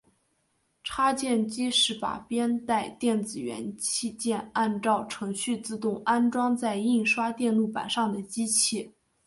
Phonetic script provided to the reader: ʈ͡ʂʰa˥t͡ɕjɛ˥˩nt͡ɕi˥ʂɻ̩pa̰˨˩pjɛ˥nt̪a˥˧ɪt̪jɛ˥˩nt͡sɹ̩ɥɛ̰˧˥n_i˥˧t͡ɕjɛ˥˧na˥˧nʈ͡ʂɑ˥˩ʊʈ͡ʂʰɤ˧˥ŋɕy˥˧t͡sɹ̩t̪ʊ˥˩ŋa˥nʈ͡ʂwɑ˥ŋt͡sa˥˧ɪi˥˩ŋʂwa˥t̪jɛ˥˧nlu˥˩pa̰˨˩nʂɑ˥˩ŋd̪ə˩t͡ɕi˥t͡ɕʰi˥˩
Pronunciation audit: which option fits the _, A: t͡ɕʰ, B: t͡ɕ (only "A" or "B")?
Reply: A